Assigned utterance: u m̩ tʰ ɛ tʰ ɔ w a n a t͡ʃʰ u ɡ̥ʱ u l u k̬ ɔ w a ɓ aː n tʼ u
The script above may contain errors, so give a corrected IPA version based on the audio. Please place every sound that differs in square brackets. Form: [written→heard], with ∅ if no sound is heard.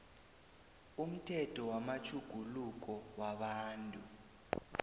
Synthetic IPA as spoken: u m̩ tʰ ɛ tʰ ɔ w a [n→m] a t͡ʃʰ u ɡ̥ʱ u l u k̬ ɔ w a ɓ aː n tʼ u

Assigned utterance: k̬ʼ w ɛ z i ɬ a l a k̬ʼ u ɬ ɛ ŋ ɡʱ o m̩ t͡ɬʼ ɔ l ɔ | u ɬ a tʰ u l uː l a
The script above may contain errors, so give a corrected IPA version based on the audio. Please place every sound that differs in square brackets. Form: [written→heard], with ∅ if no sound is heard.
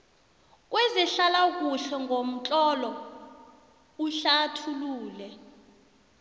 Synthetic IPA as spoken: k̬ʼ w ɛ z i ɬ a l a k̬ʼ u ɬ ɛ ŋ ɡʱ o m̩ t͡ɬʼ ɔ l ɔ | u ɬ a tʰ u l uː l [a→ɛ]

